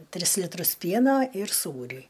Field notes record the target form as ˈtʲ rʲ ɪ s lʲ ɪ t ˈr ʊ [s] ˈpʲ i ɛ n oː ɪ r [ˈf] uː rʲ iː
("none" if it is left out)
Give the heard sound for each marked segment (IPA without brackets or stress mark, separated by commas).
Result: s, s